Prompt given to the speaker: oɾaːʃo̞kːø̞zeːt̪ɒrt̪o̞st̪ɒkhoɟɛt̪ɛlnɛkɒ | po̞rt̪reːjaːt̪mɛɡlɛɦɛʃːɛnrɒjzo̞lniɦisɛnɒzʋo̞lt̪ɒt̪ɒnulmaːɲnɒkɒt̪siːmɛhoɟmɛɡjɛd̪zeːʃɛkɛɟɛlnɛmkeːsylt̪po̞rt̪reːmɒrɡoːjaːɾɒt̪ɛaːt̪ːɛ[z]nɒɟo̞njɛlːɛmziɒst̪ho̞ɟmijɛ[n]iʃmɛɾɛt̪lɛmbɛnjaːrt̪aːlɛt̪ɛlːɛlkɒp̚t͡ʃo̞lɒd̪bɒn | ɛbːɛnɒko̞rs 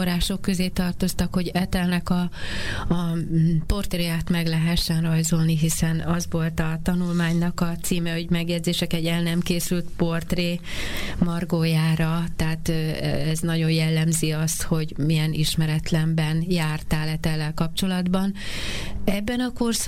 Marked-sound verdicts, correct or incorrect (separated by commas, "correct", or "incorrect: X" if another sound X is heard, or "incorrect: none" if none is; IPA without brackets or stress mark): correct, correct